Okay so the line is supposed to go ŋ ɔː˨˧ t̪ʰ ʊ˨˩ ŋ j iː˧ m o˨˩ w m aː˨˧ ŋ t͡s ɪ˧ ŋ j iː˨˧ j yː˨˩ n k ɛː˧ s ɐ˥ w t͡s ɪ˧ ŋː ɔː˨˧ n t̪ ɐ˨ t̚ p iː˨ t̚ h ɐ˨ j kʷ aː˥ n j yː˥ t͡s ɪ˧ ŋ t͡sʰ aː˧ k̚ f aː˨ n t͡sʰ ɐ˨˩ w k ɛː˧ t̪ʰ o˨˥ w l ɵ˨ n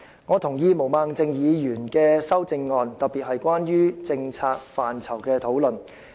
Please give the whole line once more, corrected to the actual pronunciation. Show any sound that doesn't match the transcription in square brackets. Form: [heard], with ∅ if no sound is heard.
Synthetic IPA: ŋ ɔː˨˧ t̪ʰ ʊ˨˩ ŋ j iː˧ m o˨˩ w m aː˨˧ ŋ t͡s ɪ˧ ŋ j iː˨˧ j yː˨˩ n k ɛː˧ s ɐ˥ w t͡s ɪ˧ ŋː ɔː˨˧ n t̪ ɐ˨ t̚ p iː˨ t̚ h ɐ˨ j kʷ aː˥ n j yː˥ t͡s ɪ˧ ŋ t͡sʰ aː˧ k̚ f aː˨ n t͡sʰ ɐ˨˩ w k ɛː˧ t̪ʰ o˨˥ w l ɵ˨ n